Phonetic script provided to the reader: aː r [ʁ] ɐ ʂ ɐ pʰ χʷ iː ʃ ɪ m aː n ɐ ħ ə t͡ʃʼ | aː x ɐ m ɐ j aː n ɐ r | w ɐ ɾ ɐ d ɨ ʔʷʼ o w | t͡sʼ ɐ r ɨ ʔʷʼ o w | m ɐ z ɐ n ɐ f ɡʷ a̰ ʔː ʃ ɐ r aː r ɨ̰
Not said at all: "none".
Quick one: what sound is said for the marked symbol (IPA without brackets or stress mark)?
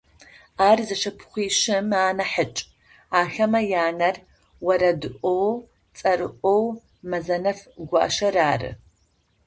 z